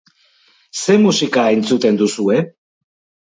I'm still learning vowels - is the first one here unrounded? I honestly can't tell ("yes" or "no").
yes